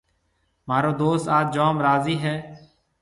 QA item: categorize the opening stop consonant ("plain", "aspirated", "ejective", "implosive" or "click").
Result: plain